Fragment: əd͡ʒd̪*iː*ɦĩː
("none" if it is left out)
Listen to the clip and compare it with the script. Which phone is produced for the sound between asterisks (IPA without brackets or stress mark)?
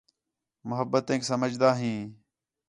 aː